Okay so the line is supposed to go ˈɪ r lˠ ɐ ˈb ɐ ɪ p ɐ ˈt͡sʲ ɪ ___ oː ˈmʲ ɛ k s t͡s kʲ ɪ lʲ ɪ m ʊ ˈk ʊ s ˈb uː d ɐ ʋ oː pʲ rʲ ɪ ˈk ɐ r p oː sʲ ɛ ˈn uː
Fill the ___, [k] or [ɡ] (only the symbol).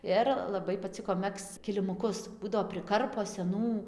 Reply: k